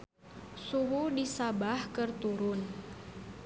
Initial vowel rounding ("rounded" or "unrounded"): rounded